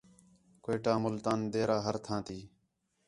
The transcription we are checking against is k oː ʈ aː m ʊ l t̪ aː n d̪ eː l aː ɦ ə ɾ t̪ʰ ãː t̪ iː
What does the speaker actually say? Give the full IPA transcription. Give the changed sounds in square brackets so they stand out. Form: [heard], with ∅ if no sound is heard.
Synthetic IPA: k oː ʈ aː m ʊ l t̪ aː n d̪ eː [ɾ] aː ɦ ə ɾ t̪ʰ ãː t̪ iː